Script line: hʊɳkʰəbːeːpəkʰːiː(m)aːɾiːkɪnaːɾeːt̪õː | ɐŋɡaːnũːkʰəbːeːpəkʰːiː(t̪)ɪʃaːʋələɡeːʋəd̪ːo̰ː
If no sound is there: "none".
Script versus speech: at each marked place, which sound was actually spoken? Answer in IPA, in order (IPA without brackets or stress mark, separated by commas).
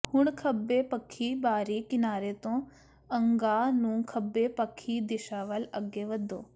b, d̪